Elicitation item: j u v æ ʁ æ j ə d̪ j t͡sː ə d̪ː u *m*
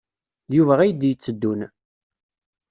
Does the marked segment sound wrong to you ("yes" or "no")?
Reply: yes